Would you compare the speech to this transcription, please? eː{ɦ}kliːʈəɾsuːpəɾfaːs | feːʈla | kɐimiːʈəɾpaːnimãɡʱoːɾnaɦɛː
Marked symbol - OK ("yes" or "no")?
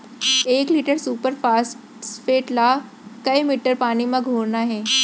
no